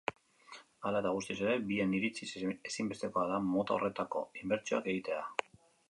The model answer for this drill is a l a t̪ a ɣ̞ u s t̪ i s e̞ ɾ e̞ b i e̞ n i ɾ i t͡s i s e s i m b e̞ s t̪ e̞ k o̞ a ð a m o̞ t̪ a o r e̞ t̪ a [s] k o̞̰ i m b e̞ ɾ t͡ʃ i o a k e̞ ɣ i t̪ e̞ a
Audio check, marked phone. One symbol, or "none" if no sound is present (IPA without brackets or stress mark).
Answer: none